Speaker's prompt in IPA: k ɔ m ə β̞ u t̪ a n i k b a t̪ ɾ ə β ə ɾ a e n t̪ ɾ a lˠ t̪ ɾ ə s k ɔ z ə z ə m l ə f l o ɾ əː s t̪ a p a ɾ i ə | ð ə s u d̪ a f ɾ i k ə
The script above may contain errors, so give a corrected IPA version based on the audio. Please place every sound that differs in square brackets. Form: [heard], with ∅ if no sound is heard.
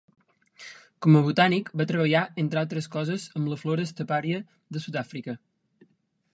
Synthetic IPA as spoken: k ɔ m ə β̞ u t̪ a n i k b a t̪ ɾ ə β ə [ʎ] a e n t̪ ɾ a lˠ t̪ ɾ ə s k ɔ z ə z ə m l ə f l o ɾ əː s t̪ [ə] p a ɾ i ə | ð ə s u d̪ a f ɾ i k ə